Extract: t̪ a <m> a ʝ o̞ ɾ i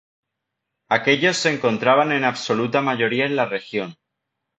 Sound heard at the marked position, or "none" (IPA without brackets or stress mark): m